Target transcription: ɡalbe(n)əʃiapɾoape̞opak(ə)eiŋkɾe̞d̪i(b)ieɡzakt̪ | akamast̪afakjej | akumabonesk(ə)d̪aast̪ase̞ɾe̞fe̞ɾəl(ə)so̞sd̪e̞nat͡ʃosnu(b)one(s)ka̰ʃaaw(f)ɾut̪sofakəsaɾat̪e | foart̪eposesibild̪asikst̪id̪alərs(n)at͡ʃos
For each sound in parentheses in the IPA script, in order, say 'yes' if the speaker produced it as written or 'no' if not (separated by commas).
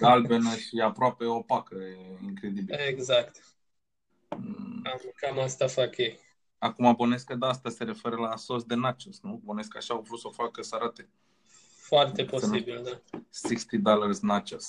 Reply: yes, yes, yes, yes, no, yes, yes, no, yes